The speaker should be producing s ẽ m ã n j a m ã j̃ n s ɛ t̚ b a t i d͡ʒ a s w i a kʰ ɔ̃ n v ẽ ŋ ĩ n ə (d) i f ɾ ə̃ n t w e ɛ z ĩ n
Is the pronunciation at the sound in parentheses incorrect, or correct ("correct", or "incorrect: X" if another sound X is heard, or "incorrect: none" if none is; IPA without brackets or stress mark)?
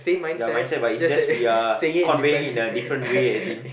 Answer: correct